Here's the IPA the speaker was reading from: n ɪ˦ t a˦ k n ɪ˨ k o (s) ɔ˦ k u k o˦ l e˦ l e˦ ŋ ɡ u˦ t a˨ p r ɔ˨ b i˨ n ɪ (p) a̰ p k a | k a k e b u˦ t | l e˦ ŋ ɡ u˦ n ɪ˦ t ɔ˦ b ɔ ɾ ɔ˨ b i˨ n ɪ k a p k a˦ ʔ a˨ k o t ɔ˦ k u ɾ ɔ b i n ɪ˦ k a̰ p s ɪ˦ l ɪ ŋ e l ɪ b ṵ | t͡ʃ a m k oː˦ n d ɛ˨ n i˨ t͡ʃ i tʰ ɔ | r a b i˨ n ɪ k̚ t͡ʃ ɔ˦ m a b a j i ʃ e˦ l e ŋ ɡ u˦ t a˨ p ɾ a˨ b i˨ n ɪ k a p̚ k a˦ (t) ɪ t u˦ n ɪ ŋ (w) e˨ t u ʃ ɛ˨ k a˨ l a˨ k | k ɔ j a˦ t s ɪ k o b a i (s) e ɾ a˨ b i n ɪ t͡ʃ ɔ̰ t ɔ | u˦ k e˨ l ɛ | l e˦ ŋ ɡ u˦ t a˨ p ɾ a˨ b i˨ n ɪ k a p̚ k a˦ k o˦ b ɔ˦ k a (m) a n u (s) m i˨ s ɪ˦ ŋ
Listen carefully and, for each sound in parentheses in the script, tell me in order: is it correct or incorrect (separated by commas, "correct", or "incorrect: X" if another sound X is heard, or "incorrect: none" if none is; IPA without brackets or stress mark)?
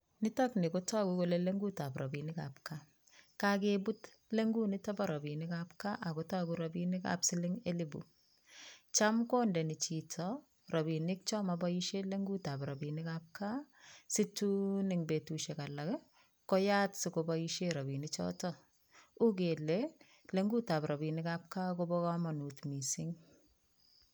incorrect: t, incorrect: k, incorrect: s, incorrect: b, incorrect: ʃ, correct, incorrect: t